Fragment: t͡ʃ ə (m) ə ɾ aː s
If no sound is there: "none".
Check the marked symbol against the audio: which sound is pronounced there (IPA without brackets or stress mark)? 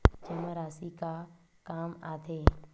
m